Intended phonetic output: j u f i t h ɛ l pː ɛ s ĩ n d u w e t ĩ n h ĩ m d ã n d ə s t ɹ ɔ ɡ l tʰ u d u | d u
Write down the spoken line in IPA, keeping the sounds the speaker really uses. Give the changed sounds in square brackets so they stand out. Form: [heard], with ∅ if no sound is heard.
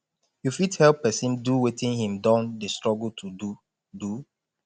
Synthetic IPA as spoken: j u f i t h ɛ l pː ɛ s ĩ n d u w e t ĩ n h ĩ m d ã n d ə s t ɹ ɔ ɡ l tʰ u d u | d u